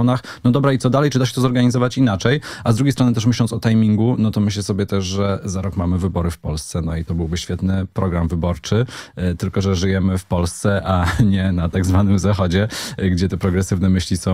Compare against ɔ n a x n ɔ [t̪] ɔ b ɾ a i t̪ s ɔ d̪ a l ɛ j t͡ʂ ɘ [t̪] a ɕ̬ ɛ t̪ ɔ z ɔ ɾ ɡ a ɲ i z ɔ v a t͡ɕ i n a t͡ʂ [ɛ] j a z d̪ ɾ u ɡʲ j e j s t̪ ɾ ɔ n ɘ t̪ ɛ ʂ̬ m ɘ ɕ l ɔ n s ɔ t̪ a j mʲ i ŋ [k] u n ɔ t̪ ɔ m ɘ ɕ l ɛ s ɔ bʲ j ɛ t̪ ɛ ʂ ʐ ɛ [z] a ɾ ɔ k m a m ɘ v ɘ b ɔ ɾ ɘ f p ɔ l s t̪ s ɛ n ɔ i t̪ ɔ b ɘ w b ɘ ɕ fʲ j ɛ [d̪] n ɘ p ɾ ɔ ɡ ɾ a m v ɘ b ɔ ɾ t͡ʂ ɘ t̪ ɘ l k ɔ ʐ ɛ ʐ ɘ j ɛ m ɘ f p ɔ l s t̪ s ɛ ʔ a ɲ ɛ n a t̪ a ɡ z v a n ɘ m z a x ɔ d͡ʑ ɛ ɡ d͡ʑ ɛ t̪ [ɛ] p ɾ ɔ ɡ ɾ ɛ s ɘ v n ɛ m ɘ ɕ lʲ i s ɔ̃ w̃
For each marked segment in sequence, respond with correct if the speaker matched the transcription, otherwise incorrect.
incorrect: d̪, incorrect: d̪, correct, incorrect: ɡ, correct, incorrect: t̪, correct

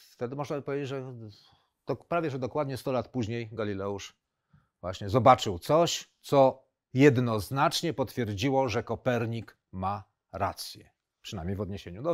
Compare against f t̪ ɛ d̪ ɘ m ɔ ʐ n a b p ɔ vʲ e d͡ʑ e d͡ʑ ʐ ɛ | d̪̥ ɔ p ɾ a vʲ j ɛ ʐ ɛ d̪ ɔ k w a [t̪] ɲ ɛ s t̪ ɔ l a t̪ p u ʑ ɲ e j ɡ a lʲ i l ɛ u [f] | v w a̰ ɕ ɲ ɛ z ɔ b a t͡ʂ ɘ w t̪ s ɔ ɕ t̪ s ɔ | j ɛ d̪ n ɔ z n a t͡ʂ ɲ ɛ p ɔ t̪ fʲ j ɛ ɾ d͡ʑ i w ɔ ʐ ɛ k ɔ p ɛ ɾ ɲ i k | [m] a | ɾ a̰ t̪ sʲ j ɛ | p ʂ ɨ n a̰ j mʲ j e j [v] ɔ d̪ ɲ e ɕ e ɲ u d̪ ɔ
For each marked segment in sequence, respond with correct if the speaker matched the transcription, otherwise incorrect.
incorrect: d̪, incorrect: ʂ, correct, correct

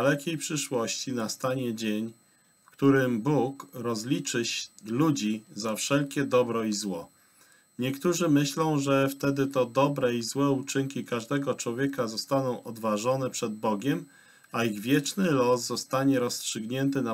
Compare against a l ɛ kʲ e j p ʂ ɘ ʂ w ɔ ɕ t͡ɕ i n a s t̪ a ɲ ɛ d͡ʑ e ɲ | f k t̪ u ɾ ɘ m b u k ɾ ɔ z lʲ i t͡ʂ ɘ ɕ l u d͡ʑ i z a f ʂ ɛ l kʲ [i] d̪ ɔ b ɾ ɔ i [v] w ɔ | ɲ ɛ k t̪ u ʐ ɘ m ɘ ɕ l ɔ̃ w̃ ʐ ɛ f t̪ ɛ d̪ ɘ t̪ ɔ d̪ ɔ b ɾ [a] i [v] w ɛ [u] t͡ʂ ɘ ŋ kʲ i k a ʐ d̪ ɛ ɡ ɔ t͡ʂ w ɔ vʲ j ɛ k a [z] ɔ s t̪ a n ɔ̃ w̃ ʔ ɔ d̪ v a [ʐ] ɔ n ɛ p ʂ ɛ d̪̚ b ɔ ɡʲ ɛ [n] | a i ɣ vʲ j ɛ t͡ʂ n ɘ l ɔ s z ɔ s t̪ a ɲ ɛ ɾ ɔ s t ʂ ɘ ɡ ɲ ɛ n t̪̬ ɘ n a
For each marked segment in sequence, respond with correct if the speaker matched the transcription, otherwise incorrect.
incorrect: ɛ, incorrect: z, incorrect: ɛ, incorrect: z, correct, correct, correct, incorrect: m

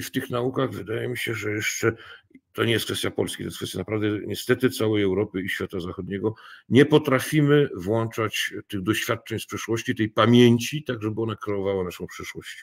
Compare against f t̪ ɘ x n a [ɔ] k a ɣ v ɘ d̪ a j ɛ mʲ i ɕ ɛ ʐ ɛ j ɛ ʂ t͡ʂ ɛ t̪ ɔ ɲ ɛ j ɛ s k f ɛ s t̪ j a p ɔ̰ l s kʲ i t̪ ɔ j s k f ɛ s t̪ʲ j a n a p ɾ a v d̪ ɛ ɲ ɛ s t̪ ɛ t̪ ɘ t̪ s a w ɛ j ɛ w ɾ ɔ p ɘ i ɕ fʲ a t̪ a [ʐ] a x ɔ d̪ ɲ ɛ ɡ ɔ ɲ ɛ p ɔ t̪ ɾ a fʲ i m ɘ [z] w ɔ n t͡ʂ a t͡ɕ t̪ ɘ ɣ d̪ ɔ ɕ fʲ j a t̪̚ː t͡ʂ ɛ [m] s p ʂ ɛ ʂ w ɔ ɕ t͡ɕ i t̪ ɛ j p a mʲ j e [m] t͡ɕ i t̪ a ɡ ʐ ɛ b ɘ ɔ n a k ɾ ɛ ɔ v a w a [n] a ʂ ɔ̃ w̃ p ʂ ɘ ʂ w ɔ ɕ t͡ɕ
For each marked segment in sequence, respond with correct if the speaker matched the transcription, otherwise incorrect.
incorrect: u, incorrect: z, incorrect: v, incorrect: ɲ, incorrect: ɲ, correct

